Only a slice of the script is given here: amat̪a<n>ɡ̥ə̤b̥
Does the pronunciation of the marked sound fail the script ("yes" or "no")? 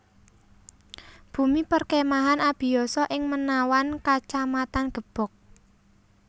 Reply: no